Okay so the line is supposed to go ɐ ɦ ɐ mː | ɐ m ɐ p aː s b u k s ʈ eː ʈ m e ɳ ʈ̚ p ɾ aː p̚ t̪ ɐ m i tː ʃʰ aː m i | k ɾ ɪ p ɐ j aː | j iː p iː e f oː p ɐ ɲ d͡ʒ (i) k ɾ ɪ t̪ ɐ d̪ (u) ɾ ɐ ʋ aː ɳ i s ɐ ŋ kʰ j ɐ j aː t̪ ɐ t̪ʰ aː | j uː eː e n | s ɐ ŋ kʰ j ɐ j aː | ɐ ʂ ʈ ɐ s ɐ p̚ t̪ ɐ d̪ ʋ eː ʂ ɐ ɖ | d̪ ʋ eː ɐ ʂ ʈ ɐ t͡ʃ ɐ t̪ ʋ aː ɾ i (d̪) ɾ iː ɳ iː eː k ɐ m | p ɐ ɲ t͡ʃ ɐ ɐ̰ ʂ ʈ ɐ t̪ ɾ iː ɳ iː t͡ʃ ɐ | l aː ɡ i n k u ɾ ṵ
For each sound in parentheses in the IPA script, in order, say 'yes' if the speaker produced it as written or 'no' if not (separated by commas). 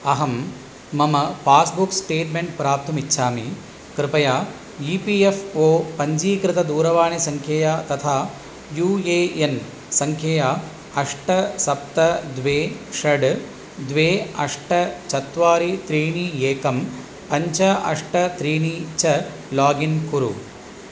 no, no, no